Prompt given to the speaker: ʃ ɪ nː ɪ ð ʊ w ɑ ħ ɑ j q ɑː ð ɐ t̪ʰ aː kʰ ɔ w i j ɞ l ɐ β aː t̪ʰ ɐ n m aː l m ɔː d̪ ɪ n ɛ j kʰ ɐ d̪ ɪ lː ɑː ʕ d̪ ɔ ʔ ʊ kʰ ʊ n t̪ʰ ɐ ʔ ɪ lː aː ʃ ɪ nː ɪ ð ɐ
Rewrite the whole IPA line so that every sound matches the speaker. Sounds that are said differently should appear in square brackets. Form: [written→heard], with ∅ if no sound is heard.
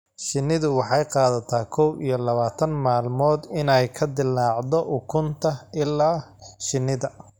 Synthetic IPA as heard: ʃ ɪ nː ɪ ð ʊ w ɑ ħ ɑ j q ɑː ð ɐ t̪ʰ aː kʰ ɔ w i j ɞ l ɐ β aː t̪ʰ ɐ n m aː l m ɔː d̪ ɪ n ɛ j kʰ ɐ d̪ ɪ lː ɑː ʕ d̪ ɔ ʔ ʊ kʰ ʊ n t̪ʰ ɐ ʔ ɪ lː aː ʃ ɪ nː ɪ ð ɐ